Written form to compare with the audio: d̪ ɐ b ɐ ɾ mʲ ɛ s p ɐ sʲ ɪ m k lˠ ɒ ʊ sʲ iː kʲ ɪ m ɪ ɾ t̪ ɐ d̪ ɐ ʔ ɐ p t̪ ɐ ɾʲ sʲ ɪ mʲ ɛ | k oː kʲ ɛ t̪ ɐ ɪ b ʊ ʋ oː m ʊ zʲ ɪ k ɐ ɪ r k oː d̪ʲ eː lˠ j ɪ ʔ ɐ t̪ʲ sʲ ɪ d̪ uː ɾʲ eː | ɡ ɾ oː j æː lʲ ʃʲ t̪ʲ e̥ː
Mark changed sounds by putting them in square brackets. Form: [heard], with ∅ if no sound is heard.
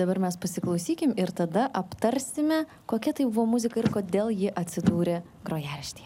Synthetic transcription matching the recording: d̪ ɐ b ɐ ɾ mʲ ɛ s p ɐ sʲ ɪ [∅] k lˠ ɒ ʊ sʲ iː kʲ ɪ m ɪ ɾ t̪ ɐ d̪ ɐ ʔ ɐ p t̪ ɐ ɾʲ sʲ ɪ mʲ ɛ | k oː kʲ ɛ t̪ ɐ ɪ b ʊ ʋ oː m ʊ zʲ ɪ k ɐ ɪ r k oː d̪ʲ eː lˠ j ɪ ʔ ɐ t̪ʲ sʲ ɪ d̪ uː ɾʲ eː | ɡ ɾ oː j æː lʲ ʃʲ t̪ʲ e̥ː